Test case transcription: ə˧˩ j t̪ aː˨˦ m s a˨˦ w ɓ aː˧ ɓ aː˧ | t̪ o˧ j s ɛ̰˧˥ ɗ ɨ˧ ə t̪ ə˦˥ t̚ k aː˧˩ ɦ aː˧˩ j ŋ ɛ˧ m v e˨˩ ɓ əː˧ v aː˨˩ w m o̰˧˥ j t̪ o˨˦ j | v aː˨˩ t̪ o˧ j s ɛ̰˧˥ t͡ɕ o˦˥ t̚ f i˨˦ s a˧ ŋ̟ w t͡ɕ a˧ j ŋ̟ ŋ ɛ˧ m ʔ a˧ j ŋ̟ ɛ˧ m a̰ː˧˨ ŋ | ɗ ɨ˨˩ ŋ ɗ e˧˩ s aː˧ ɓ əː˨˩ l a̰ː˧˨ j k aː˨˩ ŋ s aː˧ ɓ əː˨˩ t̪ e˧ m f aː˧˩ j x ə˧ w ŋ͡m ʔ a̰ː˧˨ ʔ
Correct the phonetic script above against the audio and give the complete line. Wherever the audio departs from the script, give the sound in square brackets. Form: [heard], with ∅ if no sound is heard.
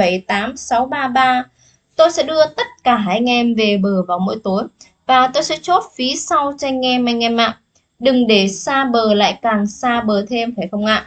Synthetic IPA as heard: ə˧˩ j t̪ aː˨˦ m s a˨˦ w ɓ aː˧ ɓ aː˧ | t̪ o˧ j s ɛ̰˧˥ ɗ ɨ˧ ə t̪ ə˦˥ t̚ k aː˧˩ ɦ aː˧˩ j ŋ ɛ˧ m v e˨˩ ɓ [əː˨˩] v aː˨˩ w m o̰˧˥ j t̪ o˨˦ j | v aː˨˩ t̪ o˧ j s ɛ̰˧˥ t͡ɕ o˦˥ t̚ f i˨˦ s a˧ [∅] w t͡ɕ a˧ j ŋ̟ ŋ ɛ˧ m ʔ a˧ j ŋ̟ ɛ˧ m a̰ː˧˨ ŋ | ɗ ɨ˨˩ ŋ ɗ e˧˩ s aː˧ ɓ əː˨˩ l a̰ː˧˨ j k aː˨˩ ŋ s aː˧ ɓ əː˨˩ [t̪ʰ] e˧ m f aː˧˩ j x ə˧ w ŋ͡m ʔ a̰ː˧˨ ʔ

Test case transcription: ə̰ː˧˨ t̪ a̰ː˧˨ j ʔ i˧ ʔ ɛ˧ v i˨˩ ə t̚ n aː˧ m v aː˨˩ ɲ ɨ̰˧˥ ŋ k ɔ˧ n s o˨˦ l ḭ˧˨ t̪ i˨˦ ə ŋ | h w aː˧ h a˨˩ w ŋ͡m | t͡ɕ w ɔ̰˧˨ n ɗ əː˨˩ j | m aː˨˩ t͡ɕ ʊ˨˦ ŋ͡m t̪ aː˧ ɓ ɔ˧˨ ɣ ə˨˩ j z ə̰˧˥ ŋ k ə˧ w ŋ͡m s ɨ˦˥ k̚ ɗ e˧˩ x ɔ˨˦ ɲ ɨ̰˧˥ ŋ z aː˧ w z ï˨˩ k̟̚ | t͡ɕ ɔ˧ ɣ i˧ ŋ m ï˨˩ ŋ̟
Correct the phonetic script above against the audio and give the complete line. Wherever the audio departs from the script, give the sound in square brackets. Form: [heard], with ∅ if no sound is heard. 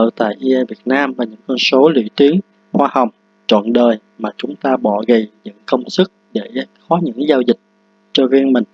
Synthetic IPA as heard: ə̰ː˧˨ t̪ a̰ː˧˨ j ʔ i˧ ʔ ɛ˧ v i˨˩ ə t̚ n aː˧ m v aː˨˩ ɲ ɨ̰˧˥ ŋ k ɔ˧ n s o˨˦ l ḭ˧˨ t̪ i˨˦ ə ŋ | h w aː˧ h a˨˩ w ŋ͡m | t͡ɕ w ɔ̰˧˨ n ɗ əː˨˩ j | m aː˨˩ t͡ɕ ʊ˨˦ ŋ͡m t̪ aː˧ ɓ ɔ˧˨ ɣ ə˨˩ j z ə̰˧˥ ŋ k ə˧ w ŋ͡m s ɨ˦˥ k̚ ɗ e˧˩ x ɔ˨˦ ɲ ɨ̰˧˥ ŋ z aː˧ w z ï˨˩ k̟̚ | t͡ɕ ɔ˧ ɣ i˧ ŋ m ï˨˩ ŋ̟

